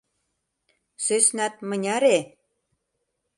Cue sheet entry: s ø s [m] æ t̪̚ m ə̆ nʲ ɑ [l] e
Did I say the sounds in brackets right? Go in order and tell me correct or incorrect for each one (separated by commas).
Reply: incorrect, incorrect